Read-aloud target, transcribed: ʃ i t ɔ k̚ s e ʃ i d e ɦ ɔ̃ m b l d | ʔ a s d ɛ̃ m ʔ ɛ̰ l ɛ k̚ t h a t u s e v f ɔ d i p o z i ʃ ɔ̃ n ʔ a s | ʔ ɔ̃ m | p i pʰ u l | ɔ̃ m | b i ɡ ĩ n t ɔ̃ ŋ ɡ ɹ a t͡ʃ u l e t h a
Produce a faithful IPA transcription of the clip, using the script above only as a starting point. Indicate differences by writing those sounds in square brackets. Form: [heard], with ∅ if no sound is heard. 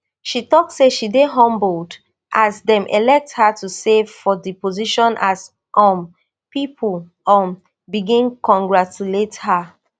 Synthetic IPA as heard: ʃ i t ɔ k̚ s e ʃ i d e ɦ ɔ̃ m b l d | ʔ a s d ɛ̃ m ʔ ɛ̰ l ɛ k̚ t h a t u s e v f ɔ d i p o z i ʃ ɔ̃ n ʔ a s | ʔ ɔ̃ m | p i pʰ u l | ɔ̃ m | b i ɡ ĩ n [k] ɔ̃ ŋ ɡ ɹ a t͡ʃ u l e t h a